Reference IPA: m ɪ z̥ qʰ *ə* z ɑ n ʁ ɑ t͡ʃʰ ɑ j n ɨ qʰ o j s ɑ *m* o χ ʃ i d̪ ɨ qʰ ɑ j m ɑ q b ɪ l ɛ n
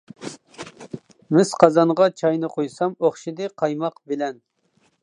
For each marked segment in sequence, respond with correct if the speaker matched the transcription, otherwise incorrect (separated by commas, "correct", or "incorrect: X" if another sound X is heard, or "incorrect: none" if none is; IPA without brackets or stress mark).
incorrect: ɑ, correct